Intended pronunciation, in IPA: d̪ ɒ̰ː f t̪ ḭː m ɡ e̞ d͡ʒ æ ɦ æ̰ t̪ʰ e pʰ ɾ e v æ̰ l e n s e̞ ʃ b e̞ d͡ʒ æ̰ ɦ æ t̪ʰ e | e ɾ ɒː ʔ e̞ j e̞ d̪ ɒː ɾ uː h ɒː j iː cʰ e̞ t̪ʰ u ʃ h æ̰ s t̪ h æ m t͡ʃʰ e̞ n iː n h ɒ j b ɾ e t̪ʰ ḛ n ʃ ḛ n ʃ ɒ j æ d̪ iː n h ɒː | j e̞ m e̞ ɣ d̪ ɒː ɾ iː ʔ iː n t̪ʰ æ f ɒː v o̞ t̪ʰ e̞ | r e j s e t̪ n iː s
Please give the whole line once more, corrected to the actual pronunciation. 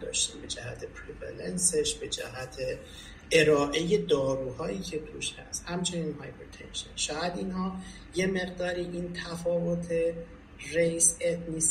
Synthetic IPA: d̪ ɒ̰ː ʃ t̪ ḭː m b e̞ d͡ʒ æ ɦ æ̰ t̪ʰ e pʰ ɾ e v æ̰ l e n s e̞ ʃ b e̞ d͡ʒ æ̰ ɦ æ t̪ʰ e | e ɾ ɒː ʔ e̞ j e̞ d̪ ɒː ɾ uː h ɒː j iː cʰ e̞ t̪ʰ u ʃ h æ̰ s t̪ h æ m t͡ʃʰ e̞ n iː n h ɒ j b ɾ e t̪ʰ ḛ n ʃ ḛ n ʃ ɒː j æ d̪ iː n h ɒː | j e̞ m e̞ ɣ d̪ ɒː ɾ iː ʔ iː n t̪ʰ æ f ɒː v o̞ t̪ʰ e̞ | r e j s e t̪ n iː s